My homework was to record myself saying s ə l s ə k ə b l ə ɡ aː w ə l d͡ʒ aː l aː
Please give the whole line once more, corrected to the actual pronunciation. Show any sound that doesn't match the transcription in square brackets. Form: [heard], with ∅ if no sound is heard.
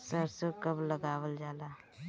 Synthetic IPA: s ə [ɾ] s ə k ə b l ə ɡ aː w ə l d͡ʒ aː l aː

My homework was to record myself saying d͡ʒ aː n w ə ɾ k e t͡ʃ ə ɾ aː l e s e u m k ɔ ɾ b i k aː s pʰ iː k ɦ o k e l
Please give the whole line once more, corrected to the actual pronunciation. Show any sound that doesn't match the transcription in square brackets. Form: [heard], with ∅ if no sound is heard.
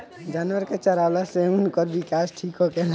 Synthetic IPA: d͡ʒ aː n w ə ɾ k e t͡ʃ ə ɾ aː l [a] s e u [n] k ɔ ɾ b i k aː s [ʈʰ] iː k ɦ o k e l

